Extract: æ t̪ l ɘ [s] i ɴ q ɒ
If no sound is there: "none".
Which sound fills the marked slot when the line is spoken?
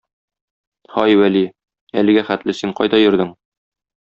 s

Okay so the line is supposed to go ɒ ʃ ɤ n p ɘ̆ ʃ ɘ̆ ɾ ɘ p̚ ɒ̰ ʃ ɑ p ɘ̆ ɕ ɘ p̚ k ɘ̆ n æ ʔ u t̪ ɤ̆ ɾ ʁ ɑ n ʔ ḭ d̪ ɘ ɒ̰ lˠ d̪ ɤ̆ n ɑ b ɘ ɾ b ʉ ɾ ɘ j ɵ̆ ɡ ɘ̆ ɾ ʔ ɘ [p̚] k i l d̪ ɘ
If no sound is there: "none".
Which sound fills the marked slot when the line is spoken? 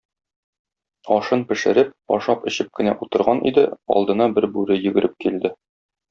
p̚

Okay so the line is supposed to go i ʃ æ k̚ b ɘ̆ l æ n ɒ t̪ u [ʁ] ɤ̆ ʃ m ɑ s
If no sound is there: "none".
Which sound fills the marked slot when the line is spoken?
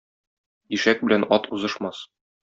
z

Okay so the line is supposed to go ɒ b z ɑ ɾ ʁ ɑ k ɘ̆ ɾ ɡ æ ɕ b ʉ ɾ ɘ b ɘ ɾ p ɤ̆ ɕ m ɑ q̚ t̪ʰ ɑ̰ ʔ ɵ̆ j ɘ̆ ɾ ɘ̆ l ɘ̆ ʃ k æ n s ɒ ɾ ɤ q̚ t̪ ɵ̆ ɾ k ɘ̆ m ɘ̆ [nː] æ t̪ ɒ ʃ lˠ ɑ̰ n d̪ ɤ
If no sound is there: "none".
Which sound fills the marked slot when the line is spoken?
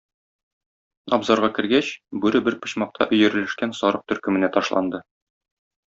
n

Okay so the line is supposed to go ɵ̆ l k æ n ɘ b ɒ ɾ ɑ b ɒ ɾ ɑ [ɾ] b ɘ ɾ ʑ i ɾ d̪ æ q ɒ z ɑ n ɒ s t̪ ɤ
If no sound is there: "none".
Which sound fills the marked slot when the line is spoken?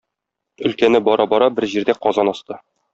none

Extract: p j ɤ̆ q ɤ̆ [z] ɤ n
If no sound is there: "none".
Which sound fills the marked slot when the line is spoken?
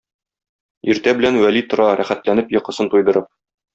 s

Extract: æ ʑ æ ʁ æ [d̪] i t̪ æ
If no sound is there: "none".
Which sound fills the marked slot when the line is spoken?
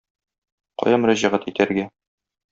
t̪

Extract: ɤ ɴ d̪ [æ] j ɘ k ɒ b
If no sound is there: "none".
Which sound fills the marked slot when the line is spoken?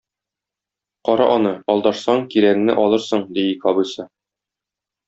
i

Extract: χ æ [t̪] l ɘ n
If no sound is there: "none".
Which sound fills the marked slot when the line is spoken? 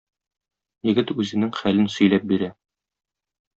none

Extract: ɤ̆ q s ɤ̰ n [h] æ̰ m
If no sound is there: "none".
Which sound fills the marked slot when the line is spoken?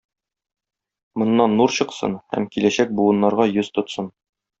h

